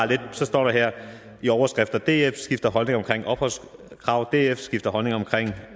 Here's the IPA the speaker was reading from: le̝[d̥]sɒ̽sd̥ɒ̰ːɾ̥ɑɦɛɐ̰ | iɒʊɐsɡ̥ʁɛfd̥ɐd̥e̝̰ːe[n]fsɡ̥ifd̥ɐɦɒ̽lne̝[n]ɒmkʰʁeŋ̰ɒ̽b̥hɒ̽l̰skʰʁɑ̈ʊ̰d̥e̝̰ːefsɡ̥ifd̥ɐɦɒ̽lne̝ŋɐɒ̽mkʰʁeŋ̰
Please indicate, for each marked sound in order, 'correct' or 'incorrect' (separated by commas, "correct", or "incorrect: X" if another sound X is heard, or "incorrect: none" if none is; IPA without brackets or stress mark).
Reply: correct, incorrect: none, incorrect: ŋ